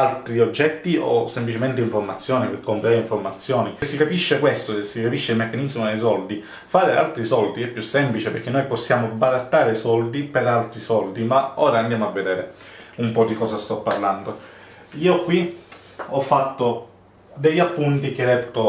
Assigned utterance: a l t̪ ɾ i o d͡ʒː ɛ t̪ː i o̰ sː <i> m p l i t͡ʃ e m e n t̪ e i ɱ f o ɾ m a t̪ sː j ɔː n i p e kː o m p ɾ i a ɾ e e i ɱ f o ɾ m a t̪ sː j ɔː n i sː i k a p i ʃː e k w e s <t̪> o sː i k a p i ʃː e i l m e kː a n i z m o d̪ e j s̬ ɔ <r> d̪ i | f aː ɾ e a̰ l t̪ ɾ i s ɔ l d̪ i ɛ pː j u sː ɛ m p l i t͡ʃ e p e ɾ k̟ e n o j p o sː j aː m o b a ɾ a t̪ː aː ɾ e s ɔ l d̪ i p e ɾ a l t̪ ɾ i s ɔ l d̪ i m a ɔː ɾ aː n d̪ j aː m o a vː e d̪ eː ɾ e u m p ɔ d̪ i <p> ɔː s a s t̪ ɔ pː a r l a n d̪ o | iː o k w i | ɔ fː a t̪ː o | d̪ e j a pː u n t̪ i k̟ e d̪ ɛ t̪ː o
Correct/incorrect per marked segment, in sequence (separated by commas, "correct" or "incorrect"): incorrect, correct, incorrect, incorrect